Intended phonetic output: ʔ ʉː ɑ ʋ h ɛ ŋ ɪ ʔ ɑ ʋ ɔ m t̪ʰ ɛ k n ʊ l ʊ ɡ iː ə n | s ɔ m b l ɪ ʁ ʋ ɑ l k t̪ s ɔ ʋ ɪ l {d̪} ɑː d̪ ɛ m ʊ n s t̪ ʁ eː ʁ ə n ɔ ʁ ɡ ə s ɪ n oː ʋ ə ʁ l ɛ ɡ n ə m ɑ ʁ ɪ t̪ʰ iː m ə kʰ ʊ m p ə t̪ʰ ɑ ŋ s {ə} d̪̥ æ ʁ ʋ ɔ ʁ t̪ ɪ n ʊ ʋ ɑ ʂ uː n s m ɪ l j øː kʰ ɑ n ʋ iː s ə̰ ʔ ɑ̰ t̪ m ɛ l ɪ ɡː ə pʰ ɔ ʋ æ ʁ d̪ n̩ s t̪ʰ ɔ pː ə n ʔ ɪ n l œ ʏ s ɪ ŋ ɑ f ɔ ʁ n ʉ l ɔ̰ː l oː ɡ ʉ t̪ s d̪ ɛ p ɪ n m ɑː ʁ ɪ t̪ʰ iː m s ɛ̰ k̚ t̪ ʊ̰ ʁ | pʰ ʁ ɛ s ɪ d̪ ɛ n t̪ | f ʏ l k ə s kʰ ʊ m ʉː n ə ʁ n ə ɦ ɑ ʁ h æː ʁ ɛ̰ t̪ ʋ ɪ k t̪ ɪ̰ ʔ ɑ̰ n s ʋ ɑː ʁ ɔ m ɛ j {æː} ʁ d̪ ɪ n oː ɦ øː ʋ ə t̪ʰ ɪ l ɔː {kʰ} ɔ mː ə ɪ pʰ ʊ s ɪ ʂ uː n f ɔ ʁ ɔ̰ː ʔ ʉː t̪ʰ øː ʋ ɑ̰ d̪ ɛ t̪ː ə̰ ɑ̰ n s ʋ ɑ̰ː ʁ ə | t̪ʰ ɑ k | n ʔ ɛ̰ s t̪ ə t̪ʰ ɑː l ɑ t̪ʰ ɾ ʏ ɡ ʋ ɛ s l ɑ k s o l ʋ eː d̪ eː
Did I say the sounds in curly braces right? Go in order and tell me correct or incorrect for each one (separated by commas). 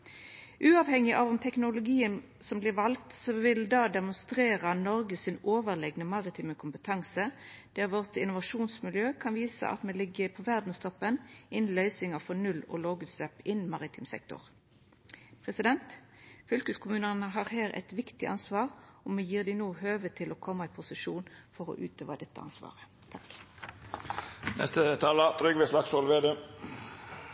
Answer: correct, correct, incorrect, correct